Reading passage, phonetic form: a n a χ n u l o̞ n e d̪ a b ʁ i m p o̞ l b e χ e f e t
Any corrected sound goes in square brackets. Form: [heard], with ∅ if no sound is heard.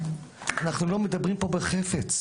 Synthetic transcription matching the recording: a n a χ n u l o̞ [m] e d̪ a b ʁ i m p o̞ [∅] b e χ e f e [t͡s]